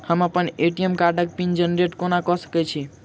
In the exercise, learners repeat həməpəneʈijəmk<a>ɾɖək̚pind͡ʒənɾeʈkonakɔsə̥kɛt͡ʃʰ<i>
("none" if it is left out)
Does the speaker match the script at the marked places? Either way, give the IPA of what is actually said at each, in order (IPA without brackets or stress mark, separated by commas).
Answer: a, i